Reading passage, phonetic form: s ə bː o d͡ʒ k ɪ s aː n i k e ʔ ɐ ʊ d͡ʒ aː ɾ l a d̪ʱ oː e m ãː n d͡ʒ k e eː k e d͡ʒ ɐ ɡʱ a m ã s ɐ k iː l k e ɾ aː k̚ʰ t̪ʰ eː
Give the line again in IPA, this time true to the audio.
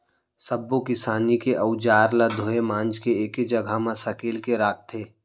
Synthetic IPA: s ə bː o k ɪ s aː n i k e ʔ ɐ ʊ d͡ʒ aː ɾ l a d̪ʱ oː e m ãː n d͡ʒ k e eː k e d͡ʒ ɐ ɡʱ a m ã s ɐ k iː l k e ɾ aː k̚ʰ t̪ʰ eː

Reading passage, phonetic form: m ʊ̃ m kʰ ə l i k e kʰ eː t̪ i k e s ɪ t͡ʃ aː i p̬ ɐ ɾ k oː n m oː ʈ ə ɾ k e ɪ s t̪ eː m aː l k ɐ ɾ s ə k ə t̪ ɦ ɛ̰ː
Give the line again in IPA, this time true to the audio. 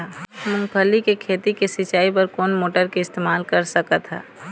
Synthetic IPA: m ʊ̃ ŋ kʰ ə l i k e kʰ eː t̪ i k e s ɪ t͡ʃ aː i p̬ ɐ ɾ k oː n m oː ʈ ə ɾ k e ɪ s t̪ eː m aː l k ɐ ɾ s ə k ə t̪ ɦ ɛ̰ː

